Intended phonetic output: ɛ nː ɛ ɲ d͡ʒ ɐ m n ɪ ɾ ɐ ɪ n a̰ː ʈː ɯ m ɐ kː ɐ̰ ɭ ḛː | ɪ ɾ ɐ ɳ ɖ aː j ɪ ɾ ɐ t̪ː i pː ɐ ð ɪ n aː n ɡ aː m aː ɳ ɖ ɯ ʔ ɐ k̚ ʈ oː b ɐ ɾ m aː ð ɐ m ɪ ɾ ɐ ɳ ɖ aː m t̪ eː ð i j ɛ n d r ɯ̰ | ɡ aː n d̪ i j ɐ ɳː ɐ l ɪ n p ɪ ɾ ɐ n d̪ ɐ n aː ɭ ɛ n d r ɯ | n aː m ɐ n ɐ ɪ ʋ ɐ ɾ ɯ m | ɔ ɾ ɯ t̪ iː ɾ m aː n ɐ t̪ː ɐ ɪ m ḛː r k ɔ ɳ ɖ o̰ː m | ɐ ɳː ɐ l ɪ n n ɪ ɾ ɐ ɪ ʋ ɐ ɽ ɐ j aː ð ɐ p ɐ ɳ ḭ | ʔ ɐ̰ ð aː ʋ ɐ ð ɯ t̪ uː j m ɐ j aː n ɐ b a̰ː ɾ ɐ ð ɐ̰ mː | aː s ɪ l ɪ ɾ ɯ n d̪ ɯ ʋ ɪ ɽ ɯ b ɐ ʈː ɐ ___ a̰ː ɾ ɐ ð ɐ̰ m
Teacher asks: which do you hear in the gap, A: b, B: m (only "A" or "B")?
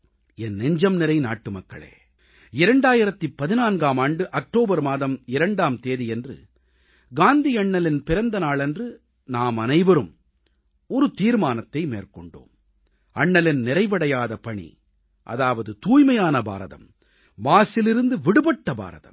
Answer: A